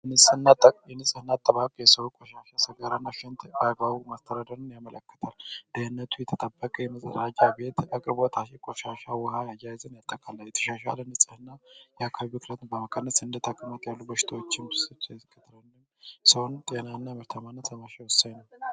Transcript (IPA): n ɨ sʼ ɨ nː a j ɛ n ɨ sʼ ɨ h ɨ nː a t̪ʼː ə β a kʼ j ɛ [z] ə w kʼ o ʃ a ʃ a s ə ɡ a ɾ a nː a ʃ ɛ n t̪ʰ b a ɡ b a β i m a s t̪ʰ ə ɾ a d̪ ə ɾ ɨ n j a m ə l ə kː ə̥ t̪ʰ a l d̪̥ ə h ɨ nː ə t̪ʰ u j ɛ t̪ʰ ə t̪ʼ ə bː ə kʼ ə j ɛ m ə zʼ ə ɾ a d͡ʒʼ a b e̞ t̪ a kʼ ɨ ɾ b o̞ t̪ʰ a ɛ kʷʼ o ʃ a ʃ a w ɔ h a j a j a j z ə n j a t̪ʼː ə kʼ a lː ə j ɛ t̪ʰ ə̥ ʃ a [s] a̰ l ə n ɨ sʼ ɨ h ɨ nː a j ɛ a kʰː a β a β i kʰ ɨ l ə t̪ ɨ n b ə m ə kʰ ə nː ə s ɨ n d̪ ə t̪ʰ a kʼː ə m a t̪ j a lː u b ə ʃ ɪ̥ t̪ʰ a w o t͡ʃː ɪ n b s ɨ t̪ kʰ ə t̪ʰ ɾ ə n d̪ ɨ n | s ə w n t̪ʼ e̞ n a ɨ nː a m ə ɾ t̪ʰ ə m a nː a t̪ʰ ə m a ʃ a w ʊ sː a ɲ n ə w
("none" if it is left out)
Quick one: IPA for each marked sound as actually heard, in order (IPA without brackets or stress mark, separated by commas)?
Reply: s, ʃ